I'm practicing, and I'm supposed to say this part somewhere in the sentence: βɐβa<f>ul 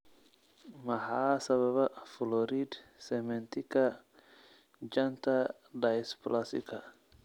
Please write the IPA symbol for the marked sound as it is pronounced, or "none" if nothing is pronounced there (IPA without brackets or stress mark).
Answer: f